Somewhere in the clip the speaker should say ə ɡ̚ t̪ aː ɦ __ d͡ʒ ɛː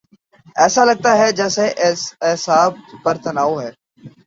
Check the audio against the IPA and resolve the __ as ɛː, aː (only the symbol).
ɛː